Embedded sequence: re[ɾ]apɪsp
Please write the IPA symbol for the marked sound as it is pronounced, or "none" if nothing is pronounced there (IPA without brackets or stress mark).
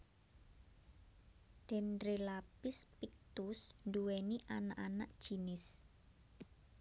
l